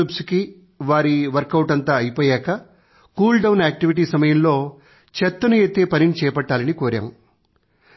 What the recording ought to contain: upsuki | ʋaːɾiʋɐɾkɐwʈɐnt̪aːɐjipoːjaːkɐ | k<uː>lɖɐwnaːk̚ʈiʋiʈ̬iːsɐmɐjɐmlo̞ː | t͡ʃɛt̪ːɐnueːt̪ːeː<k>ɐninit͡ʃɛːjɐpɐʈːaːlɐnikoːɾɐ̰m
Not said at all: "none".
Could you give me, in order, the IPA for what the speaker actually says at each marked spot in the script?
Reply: uː, p

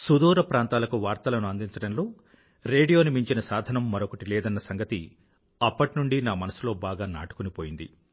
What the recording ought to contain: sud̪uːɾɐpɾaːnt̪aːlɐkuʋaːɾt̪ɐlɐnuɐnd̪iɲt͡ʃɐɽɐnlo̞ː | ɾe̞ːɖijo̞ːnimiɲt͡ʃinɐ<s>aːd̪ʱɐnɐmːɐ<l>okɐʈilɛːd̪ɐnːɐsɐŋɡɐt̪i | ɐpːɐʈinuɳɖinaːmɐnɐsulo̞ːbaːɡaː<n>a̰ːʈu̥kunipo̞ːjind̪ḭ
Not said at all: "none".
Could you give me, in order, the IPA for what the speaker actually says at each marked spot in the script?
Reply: s, ɾ, n

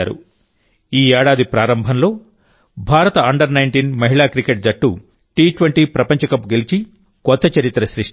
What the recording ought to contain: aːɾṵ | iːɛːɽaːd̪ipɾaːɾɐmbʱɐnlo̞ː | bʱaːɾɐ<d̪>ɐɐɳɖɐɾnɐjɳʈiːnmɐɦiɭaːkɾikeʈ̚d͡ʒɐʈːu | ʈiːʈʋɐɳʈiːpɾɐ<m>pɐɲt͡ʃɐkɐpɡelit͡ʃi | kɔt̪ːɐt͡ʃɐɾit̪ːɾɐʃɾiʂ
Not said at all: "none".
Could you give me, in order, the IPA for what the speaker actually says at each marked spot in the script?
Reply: t̪, none

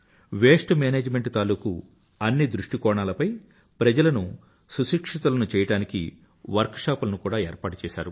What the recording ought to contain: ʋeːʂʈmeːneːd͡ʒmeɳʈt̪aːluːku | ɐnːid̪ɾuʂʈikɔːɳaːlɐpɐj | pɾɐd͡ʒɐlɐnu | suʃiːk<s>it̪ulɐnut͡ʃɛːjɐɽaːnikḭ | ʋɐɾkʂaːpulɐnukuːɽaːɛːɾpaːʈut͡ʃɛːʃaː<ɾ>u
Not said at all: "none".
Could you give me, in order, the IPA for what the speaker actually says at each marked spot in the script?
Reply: ʂ, ɾ

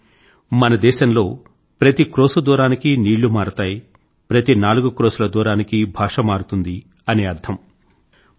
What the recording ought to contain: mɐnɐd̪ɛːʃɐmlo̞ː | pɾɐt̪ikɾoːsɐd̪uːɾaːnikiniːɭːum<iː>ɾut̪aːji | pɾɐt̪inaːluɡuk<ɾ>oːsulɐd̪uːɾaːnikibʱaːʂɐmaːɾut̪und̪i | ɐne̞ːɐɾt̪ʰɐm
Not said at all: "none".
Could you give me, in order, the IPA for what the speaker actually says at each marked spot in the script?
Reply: aː, ɾ

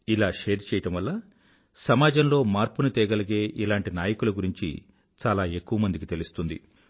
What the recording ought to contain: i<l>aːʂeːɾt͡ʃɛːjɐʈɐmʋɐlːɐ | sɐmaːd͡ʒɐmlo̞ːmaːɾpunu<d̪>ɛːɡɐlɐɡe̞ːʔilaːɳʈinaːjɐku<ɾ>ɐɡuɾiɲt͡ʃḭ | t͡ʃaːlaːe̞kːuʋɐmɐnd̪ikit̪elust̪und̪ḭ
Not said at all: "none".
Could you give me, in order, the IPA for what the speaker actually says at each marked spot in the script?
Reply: l, t̪, l

